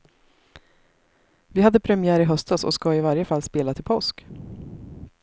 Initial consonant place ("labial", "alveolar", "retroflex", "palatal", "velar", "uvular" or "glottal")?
labial